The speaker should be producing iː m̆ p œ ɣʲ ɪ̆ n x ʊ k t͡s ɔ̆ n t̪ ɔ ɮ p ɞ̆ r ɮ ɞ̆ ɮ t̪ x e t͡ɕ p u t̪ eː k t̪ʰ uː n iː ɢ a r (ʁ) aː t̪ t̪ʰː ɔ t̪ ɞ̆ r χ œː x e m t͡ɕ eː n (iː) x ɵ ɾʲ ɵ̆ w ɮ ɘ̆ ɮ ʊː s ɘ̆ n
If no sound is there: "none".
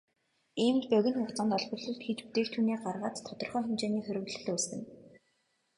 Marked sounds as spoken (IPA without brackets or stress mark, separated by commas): ʁ, iː